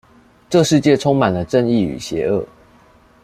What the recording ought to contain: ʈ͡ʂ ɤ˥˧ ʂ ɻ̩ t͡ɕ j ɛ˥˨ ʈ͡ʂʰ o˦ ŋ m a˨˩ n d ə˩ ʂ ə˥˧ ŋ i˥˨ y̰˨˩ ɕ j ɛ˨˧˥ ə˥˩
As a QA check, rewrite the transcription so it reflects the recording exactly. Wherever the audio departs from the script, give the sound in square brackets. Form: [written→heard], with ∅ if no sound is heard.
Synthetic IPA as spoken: ʈ͡ʂ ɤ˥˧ ʂ ɻ̩ t͡ɕ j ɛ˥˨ ʈ͡ʂʰ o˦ ŋ m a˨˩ n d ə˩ [ʂ→ʈ͡ʂ] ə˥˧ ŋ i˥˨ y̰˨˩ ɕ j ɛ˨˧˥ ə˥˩